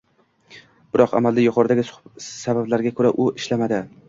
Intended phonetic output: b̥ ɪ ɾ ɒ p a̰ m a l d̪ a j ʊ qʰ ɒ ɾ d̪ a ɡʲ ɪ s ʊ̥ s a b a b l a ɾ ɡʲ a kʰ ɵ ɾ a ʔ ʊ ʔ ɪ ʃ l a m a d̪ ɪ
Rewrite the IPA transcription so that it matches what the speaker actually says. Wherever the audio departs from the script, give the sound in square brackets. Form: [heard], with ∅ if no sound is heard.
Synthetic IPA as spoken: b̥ ɪ ɾ ɒ [q] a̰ m a l d̪ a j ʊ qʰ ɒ ɾ d̪ a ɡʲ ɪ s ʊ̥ s a b a b l a ɾ ɡʲ a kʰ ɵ ɾ a ʔ ʊ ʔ ɪ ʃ l a m a d̪ ɪ